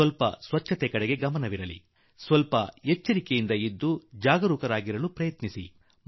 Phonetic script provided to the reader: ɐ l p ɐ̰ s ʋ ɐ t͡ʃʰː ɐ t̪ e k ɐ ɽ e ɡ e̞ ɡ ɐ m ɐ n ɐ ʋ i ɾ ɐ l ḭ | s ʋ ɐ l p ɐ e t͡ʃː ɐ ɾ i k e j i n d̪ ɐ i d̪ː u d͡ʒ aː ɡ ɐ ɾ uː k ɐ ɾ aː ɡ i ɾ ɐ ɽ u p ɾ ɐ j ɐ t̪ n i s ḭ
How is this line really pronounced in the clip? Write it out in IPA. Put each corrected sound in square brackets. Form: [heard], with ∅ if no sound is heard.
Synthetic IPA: ɐ l p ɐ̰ s ʋ ɐ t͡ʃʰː ɐ t̪ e k ɐ ɽ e ɡ e̞ ɡ ɐ m ɐ n ɐ ʋ i ɾ ɐ l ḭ | s ʋ ɐ l p ɐ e t͡ʃː ɐ ɾ i k e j i n d̪ ɐ i d̪ː u d͡ʒ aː ɡ ɐ ɾ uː k ɐ ɾ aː ɡ i ɾ ɐ [l] u p ɾ ɐ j ɐ t̪ n i s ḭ